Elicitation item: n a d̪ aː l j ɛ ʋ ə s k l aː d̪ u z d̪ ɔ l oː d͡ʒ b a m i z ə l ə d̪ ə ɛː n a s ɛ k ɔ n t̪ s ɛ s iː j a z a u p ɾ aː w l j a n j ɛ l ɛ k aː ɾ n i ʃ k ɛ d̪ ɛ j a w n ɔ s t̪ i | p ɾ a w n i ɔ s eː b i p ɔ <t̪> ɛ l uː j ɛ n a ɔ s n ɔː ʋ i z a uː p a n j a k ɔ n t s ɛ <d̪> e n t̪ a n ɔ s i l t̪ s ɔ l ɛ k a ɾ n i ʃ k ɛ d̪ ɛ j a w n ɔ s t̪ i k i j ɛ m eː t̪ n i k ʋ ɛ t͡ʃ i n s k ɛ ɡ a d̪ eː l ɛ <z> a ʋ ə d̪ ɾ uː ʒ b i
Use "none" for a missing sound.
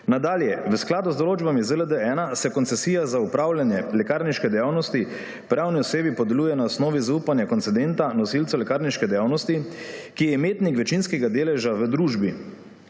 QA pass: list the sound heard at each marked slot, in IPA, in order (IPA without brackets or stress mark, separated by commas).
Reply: d̪, d̪, ʒ